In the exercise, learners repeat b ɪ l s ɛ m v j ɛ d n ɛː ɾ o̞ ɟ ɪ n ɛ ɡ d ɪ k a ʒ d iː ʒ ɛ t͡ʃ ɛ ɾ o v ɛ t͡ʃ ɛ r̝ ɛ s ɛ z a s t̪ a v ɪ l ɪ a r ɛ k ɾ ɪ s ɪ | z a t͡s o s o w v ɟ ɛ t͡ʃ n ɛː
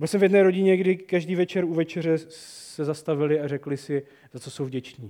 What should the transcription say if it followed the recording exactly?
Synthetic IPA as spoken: b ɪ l s ɛ m v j ɛ d n ɛː ɾ o̞ ɟ ɪ ɲ ɛ ɡ d ɪ k a ʒ d iː v ɛ t͡ʃ ɛ ɾ u v ɛ t͡ʃ ɛ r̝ ɛ s ɛ z a s t̪ a v ɪ l ɪ a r ɛ k l ɪ s ɪ | z a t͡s o s o w v ɟ ɛ t͡ʃ n iː